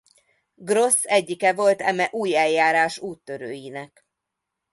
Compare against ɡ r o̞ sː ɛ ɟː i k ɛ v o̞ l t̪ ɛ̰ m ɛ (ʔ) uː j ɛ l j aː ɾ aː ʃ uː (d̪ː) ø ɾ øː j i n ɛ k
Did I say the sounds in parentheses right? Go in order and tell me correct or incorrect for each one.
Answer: correct, incorrect: t̪ː

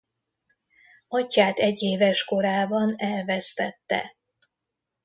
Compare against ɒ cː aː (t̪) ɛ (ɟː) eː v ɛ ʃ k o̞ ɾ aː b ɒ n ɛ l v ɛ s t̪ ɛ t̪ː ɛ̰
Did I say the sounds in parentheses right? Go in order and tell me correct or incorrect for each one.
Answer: correct, correct

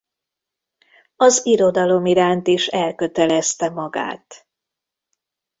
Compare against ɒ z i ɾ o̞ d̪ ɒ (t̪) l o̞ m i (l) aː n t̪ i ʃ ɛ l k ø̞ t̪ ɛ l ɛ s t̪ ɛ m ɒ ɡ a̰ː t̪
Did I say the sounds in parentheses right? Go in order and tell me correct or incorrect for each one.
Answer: incorrect: none, incorrect: ɾ

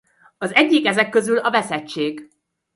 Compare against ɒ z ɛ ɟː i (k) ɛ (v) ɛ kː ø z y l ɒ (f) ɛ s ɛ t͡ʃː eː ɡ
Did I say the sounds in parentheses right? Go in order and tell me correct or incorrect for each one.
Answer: correct, incorrect: z, incorrect: v

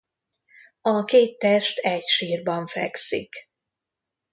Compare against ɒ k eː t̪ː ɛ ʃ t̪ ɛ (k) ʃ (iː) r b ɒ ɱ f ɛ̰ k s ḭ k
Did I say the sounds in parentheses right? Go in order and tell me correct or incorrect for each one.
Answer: incorrect: c, correct

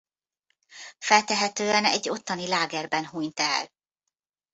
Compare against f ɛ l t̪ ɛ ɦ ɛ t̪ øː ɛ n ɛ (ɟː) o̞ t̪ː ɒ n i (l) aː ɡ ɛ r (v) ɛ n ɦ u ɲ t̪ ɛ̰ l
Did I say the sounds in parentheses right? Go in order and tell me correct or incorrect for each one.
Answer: correct, correct, incorrect: b

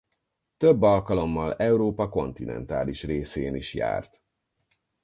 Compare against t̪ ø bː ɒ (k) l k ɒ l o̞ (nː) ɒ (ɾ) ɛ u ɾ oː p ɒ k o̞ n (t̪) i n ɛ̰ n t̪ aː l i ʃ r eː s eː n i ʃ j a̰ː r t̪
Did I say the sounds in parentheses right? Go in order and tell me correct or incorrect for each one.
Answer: incorrect: none, incorrect: mː, incorrect: l, correct

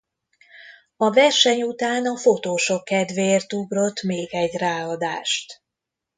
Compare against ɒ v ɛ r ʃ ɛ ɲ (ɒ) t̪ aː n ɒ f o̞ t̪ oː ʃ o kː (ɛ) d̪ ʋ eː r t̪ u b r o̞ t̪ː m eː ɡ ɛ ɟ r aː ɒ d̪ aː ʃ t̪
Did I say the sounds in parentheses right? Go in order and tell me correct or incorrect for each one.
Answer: incorrect: u, correct

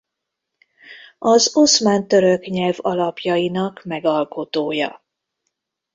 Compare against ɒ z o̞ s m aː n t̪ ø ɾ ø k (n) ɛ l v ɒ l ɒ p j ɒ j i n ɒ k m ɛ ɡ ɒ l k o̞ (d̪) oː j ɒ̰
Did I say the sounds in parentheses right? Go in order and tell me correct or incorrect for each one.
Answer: incorrect: ɲ, incorrect: t̪

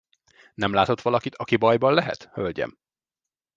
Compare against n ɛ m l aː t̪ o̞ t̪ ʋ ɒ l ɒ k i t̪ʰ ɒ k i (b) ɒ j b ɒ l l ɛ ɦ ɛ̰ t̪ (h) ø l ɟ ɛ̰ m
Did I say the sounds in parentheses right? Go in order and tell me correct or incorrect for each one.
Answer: correct, correct

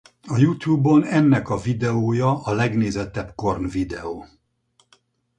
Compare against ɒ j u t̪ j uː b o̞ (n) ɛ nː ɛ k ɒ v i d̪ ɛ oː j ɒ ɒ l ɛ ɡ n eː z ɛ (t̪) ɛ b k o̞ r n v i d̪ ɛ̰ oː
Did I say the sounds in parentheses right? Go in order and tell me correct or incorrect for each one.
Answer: correct, correct

